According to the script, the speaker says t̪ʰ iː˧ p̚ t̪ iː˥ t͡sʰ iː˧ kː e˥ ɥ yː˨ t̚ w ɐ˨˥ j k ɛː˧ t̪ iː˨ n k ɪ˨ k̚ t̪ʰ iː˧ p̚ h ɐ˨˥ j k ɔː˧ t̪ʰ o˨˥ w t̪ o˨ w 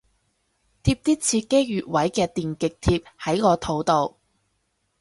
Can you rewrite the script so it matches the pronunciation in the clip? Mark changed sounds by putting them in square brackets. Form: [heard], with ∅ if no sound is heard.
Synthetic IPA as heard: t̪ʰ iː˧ p̚ t̪ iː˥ t͡sʰ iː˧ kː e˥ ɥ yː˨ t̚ w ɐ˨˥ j k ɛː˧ t̪ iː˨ n k ɪ˨ k̚ t̪ʰ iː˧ p̚ h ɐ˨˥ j k ɔː˧ t̪ʰ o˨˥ w t̪ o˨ w